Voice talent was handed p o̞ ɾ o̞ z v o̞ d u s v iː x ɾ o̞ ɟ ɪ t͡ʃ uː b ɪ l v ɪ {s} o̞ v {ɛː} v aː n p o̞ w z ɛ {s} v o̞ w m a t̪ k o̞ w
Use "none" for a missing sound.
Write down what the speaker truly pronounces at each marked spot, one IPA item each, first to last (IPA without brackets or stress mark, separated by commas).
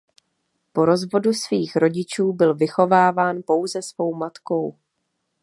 x, aː, s